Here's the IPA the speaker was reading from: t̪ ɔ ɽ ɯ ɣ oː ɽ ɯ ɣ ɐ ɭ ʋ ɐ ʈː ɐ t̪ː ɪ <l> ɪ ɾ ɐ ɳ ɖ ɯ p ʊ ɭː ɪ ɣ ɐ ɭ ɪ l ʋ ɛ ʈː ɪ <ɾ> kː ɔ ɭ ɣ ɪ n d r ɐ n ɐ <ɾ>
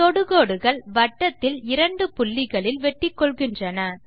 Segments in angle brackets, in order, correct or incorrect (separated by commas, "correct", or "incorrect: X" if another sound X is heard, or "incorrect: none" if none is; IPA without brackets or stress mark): correct, incorrect: none, incorrect: none